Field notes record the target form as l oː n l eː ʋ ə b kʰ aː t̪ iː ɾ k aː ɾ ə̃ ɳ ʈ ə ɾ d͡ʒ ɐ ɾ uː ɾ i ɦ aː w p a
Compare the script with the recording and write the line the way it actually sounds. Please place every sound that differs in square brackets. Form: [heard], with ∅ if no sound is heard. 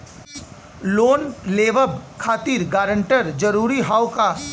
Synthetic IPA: l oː n l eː ʋ ə b kʰ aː t̪ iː ɾ [ɡ] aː ɾ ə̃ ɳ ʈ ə ɾ d͡ʒ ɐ ɾ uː ɾ i ɦ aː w [k] a